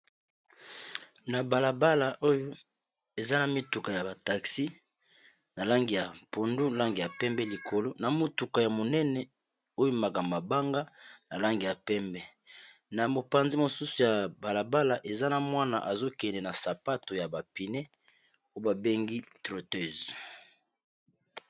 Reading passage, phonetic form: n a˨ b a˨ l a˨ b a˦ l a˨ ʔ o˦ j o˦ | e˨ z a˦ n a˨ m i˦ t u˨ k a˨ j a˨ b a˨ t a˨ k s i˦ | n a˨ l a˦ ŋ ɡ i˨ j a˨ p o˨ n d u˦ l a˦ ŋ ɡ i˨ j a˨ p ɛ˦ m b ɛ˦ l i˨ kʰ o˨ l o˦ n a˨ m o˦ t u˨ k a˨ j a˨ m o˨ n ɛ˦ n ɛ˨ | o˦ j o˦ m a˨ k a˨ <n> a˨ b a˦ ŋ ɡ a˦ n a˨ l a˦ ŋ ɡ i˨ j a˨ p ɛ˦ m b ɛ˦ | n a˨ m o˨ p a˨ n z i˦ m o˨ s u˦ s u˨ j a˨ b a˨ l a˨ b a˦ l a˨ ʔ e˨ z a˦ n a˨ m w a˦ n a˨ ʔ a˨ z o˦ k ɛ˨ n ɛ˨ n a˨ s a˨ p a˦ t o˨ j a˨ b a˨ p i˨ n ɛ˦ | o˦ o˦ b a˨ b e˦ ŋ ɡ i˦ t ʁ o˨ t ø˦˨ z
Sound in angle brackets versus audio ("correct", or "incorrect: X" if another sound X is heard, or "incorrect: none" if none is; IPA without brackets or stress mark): incorrect: m